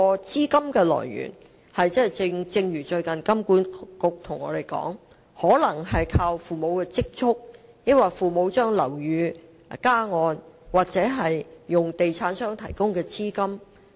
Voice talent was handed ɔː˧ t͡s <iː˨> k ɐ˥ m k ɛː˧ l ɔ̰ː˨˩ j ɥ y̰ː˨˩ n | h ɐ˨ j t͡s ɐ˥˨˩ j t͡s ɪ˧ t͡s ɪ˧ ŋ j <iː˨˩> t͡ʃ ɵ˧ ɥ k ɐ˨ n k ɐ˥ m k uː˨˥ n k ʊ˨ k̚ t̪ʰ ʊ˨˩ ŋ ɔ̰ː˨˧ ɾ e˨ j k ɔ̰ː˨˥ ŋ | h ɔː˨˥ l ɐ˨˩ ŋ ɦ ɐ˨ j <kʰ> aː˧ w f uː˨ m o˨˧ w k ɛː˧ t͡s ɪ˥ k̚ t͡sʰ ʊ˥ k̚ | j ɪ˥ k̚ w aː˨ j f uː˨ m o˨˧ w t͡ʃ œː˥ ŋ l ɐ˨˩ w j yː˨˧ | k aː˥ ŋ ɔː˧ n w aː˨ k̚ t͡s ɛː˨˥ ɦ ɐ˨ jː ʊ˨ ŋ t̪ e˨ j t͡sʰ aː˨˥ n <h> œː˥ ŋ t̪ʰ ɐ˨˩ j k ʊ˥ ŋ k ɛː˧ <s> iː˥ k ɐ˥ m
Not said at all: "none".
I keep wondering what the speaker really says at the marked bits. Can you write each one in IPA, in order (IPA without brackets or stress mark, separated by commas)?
iː˥, yː˨˩, kʰ, s, t͡s